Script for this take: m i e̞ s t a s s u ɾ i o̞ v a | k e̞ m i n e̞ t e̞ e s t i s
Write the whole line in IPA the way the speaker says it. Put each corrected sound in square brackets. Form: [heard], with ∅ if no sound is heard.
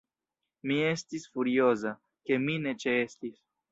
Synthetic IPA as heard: m i e̞ s t [i] s [f] u ɾ i o̞ [z] a | k e̞ m i n e̞ [t͡ʃ] e̞ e s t i s